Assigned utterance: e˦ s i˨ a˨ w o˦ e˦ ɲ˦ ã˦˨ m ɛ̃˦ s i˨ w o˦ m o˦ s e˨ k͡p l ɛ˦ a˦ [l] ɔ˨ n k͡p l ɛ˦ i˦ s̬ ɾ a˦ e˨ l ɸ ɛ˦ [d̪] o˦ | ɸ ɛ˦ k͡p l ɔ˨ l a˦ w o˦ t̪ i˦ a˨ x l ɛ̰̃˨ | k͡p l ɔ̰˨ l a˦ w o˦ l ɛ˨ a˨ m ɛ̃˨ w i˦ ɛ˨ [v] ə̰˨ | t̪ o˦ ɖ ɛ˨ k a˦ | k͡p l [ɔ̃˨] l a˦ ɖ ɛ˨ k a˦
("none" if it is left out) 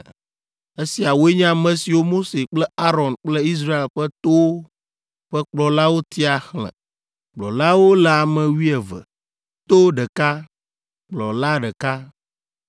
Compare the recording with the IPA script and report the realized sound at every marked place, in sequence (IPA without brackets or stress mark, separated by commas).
ɾ, t̪, v, ɔ˨